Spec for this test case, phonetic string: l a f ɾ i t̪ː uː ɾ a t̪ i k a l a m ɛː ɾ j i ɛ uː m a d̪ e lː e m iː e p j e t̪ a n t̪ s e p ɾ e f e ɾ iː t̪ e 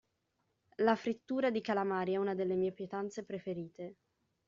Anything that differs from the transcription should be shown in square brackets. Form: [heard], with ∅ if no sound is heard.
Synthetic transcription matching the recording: l a f ɾ i t̪ː uː ɾ a [d̪] i k a l a m [aː] ɾ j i ɛ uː [n] a d̪ e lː e m iː e p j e t̪ a n t̪ s e p ɾ e f e ɾ iː t̪ e